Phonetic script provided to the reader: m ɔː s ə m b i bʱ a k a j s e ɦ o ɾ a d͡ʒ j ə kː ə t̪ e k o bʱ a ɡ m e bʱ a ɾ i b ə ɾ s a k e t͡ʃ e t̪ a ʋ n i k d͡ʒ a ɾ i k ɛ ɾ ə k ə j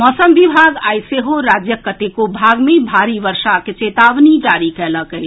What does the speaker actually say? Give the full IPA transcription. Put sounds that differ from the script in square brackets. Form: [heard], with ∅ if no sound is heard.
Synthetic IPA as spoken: m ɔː s ə m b i bʱ a [ɡ] a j s e ɦ o ɾ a d͡ʒ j ə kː ə t̪ e k o bʱ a ɡ m e bʱ a ɾ i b ə ɾ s a k e t͡ʃ e t̪ a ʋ n i [∅] d͡ʒ a ɾ i k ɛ [l] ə k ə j